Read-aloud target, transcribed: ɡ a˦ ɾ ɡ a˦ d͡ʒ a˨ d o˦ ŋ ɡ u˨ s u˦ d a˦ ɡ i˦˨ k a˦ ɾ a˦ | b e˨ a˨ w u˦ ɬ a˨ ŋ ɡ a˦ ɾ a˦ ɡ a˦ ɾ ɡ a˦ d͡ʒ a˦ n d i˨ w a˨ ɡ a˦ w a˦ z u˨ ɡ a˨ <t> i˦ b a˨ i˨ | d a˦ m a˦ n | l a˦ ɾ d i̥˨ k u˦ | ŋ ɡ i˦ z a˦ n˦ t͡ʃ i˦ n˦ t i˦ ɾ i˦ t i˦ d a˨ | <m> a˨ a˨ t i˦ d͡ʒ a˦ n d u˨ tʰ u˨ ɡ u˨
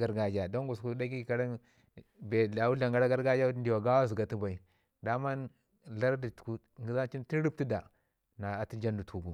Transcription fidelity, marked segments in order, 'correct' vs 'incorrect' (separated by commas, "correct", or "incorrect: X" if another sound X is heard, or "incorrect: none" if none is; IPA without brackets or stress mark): correct, incorrect: n